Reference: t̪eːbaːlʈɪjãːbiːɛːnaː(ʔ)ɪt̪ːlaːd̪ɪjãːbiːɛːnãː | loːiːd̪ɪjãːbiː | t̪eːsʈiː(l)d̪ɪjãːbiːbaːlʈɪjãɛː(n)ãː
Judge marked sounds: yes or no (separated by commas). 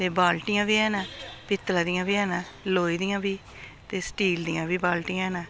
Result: no, yes, yes